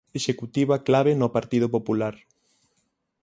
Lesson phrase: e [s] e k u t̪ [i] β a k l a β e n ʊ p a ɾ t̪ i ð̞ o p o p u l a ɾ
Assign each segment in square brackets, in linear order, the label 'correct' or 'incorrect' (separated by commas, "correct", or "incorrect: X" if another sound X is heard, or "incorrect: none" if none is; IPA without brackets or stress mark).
incorrect: ʃ, correct